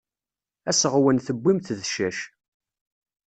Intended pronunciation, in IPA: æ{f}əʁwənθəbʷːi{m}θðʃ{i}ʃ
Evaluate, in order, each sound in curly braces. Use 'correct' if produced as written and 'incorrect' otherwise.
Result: incorrect, correct, incorrect

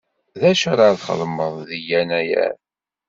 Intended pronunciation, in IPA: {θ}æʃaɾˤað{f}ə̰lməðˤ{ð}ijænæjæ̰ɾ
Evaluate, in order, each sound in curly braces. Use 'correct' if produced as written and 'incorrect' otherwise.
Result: incorrect, incorrect, correct

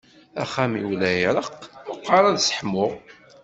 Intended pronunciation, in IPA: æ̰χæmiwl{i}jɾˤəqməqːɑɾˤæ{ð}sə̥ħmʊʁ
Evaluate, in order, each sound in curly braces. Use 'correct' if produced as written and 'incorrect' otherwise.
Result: incorrect, correct

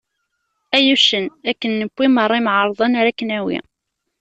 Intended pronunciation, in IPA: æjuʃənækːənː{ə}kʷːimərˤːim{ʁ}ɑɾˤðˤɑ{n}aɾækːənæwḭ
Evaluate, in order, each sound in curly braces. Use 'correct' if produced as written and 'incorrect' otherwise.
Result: correct, incorrect, correct

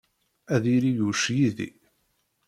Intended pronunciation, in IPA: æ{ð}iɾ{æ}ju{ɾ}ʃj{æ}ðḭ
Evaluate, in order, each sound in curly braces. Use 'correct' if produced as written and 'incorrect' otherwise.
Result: correct, incorrect, incorrect, incorrect

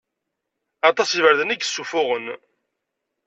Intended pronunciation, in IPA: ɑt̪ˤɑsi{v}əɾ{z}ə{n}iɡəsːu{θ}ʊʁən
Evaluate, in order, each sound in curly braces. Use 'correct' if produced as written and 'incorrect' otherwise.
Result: correct, incorrect, correct, incorrect

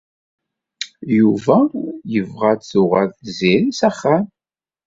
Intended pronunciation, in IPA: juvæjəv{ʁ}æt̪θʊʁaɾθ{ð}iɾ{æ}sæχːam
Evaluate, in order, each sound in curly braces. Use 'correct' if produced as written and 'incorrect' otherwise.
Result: correct, incorrect, incorrect

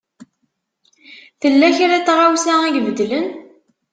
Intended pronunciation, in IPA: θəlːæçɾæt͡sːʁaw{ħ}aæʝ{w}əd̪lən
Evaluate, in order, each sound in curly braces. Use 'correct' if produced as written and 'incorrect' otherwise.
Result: incorrect, incorrect

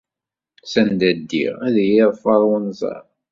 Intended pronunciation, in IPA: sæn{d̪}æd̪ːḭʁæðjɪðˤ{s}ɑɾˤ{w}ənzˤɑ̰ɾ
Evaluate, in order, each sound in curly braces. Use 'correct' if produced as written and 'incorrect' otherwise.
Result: correct, incorrect, correct

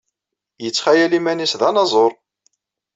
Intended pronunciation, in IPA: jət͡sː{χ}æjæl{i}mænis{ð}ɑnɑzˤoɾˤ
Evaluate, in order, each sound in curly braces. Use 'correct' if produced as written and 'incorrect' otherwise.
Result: correct, correct, correct

